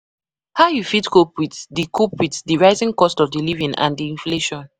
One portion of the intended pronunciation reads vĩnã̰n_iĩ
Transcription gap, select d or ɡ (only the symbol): d